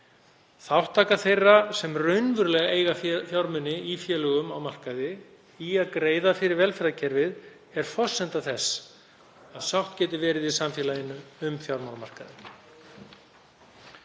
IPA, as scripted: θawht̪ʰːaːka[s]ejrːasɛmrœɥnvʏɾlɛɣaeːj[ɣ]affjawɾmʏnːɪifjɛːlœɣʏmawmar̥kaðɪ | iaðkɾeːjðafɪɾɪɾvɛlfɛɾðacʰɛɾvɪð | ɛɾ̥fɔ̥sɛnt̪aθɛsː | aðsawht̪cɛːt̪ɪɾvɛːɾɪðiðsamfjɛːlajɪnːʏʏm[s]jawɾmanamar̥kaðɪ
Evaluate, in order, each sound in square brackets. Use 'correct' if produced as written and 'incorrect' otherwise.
incorrect, correct, incorrect

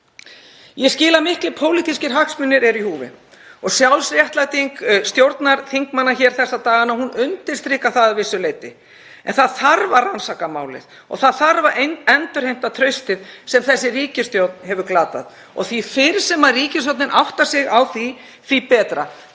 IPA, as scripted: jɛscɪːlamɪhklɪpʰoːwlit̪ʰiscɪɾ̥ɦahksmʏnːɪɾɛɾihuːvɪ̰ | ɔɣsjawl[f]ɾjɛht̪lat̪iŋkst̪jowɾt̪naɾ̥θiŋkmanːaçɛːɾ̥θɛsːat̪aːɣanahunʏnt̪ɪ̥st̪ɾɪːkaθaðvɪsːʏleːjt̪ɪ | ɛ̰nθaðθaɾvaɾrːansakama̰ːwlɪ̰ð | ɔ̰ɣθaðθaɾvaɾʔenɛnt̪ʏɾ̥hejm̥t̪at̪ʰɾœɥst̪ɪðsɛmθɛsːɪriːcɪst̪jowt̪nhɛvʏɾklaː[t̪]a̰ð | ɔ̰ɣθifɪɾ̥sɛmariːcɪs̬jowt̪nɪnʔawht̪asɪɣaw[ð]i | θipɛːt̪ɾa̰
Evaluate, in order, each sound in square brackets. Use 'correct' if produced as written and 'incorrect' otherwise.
incorrect, correct, incorrect

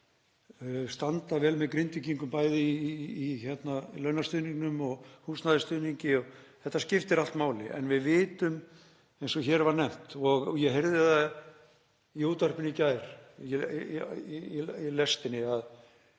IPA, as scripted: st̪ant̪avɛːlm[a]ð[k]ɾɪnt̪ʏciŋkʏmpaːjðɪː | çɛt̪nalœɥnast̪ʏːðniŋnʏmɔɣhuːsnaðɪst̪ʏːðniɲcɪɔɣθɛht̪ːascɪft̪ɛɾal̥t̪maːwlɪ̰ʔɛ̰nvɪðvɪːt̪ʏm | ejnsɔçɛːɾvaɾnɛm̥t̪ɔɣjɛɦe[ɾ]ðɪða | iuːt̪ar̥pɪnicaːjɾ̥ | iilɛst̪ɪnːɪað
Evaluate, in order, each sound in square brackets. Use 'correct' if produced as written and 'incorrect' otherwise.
incorrect, correct, correct

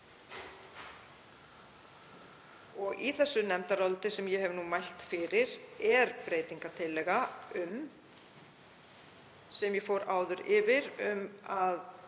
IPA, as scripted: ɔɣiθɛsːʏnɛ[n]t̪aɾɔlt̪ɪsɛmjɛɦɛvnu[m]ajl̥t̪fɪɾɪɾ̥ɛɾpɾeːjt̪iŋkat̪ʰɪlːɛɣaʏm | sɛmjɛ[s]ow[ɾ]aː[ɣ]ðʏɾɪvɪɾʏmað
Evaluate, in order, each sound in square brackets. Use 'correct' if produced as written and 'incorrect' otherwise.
incorrect, correct, incorrect, correct, incorrect

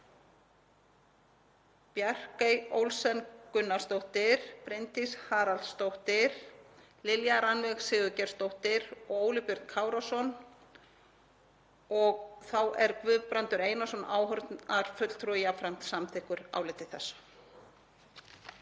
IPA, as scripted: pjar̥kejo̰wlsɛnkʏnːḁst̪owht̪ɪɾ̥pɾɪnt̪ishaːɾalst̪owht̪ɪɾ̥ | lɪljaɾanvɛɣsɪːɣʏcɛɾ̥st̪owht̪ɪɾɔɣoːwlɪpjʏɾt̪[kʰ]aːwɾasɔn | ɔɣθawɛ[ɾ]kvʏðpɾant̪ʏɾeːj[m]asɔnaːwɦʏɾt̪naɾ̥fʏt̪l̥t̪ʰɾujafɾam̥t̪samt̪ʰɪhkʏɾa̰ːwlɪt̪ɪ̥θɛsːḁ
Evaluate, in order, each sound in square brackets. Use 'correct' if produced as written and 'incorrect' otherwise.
correct, correct, incorrect

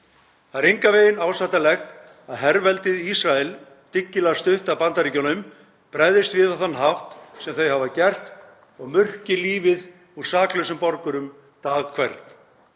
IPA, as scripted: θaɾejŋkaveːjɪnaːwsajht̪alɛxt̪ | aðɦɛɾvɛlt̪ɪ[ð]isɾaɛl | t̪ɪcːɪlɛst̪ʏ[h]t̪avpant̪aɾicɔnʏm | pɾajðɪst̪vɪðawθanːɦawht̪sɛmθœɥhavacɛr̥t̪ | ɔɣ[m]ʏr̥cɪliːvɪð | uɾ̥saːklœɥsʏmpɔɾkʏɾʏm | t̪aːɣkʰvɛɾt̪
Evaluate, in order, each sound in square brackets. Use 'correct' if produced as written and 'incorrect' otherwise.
correct, correct, correct

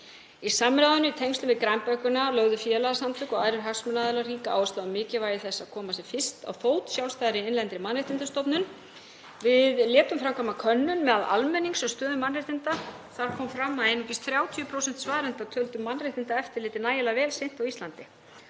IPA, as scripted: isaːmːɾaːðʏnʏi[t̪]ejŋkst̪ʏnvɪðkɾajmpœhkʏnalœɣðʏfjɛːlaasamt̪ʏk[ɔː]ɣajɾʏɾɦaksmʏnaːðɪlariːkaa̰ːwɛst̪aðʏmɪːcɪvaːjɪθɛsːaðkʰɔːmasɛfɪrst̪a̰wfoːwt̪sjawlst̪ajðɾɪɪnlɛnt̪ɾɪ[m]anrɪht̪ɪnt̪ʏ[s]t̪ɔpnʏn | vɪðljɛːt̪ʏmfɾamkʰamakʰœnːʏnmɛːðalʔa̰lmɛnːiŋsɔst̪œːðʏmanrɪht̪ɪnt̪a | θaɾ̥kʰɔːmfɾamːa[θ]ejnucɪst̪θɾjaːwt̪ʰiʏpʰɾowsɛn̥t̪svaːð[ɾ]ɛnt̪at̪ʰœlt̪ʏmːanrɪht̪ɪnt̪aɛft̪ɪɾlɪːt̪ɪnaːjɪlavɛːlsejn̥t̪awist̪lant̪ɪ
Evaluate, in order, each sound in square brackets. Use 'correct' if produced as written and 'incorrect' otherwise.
incorrect, incorrect, correct, correct, incorrect, correct

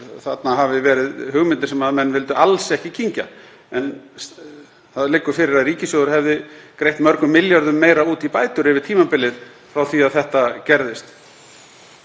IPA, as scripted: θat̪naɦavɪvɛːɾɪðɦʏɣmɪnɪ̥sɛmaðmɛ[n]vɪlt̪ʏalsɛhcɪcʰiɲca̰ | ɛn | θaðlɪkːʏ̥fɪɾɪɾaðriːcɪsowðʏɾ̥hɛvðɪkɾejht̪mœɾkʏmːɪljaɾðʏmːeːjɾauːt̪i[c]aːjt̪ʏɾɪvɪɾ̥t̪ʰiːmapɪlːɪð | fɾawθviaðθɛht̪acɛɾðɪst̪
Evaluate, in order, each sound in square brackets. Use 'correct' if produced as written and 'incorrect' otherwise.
incorrect, incorrect

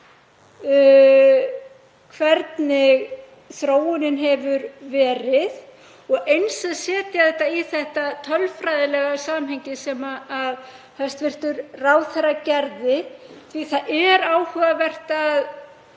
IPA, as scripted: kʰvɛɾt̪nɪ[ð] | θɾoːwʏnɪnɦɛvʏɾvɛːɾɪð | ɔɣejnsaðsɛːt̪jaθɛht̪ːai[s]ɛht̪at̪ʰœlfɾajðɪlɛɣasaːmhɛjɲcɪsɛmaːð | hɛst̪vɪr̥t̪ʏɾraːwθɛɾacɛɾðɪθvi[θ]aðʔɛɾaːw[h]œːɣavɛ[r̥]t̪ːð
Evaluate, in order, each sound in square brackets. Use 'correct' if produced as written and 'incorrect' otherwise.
incorrect, incorrect, correct, correct, correct

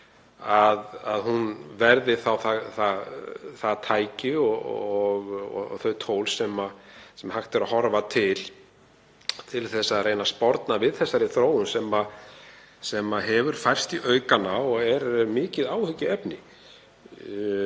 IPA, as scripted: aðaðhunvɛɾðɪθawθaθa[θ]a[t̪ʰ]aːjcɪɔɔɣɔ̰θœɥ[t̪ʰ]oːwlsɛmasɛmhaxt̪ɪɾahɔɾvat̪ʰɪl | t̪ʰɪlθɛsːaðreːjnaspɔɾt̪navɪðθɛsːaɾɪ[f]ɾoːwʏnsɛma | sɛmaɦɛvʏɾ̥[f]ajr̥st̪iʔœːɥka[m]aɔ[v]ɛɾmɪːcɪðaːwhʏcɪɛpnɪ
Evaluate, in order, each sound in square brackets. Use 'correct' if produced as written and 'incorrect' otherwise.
correct, correct, correct, incorrect, correct, incorrect, incorrect

